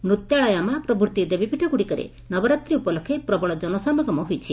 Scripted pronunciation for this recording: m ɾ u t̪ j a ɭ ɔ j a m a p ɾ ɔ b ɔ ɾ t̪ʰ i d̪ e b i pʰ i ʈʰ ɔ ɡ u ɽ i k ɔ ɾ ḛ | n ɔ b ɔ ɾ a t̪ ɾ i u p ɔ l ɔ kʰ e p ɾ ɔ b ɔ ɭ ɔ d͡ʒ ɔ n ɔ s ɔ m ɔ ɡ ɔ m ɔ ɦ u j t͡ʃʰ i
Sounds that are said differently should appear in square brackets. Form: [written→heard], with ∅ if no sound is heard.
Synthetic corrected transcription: m ɾ u t̪ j a ɭ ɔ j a m a p ɾ ɔ b [ɔ→u] ɾ [t̪ʰ→t̪] i d̪ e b i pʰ i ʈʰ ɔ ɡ u ɽ i k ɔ ɾ ḛ | n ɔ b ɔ ɾ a t̪ ɾ i u p ɔ l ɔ kʰ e p ɾ ɔ b ɔ ɭ ɔ d͡ʒ ɔ n ɔ s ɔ m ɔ ɡ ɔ m ɔ ɦ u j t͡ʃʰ i